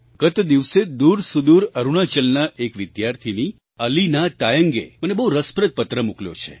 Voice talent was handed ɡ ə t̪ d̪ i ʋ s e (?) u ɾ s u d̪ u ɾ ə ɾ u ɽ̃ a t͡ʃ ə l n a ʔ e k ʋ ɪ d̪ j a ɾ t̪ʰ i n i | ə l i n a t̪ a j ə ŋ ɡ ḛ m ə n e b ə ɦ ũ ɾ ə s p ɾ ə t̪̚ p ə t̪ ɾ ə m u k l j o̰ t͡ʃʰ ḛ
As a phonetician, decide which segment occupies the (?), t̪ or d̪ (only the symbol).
d̪